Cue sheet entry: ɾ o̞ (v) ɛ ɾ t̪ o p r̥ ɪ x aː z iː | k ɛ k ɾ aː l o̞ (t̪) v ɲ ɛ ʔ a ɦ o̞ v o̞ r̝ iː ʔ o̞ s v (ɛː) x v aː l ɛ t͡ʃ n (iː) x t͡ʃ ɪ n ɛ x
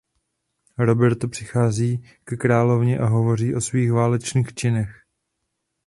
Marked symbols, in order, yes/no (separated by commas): no, no, no, yes